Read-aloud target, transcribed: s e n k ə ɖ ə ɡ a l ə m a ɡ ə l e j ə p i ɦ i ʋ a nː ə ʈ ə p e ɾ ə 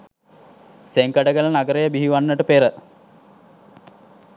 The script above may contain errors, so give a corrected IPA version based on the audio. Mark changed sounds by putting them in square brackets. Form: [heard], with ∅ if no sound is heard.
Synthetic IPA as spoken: s e [ŋ] k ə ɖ ə ɡ [ə] l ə [n] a ɡ ə [ɾ] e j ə [b] i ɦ i ʋ a nː ə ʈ ə p e ɾ ə